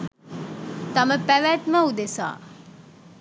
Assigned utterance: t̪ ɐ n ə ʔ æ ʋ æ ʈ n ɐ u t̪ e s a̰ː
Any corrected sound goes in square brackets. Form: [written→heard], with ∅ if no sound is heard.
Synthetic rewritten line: t̪ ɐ [n→m] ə [ʔ→p] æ ʋ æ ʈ [n→m] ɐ u [t̪→d̪] e s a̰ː